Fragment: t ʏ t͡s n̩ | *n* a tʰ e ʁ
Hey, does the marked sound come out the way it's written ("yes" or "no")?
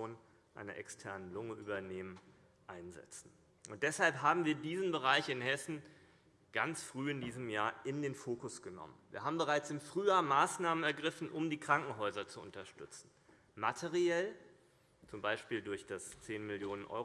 no